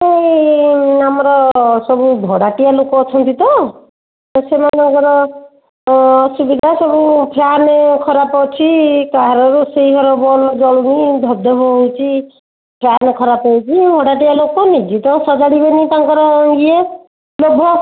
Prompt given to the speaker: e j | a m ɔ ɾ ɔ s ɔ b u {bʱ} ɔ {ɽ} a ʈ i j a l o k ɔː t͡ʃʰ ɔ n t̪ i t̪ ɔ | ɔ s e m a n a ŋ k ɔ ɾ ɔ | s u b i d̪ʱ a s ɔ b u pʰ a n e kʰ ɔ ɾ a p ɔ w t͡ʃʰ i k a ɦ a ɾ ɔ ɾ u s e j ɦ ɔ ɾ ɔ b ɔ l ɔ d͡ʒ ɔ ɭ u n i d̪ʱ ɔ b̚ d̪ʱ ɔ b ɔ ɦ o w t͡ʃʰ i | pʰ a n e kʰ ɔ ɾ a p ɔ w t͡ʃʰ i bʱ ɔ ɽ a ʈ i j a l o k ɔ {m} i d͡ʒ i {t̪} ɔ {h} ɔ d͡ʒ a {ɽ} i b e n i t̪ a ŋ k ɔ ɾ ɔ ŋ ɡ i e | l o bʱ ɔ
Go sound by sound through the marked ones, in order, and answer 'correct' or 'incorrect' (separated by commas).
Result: correct, correct, incorrect, correct, incorrect, correct